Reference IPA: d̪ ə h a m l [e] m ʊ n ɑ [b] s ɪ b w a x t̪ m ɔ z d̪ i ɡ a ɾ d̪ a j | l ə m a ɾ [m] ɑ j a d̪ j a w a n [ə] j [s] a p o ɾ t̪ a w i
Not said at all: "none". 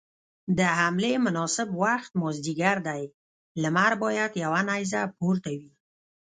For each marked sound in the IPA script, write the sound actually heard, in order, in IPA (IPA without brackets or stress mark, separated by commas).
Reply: e, none, b, a, z